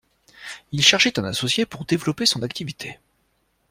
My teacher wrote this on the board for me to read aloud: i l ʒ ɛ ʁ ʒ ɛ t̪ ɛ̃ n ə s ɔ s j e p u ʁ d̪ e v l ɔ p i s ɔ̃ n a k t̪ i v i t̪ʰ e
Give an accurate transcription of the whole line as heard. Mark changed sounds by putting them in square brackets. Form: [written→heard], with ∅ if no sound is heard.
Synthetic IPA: i l [ʒ→ʃ] ɛ ʁ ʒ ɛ t̪ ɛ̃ n [ə→a] s ɔ s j e p u ʁ d̪ e v l ɔ p [i→e] s ɔ̃ n a k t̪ i v i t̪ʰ e